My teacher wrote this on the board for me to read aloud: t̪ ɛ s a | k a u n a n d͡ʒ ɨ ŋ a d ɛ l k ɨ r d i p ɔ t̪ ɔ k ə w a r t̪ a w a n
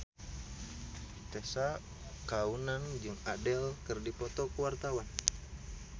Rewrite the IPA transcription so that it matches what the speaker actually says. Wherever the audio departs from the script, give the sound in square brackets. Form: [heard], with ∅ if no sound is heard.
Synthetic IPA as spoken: t̪ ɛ s a | k a u n a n d͡ʒ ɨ ŋ a d ɛ l k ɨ r d i p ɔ t̪ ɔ k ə w a r t̪ a w a n